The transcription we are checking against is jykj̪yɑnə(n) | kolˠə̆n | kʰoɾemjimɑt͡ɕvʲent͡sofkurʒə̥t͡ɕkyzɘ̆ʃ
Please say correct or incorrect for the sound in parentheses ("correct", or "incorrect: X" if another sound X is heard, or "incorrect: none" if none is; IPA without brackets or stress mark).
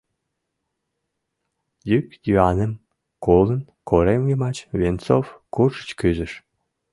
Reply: incorrect: m